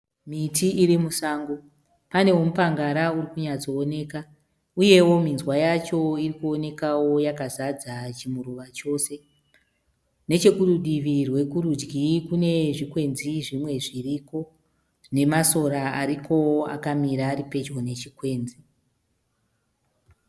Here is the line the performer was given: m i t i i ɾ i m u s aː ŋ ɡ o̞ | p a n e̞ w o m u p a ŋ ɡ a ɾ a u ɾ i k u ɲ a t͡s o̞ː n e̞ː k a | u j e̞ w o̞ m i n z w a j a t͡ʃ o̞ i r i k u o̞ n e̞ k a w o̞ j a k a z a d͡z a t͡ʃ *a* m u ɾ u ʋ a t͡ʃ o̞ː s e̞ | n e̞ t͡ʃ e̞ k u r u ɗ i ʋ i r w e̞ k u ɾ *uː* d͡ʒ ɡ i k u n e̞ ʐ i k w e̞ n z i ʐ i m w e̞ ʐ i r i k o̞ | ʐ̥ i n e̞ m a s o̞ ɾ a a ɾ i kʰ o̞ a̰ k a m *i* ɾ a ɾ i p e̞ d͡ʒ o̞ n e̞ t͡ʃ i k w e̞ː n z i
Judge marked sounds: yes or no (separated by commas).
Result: no, no, yes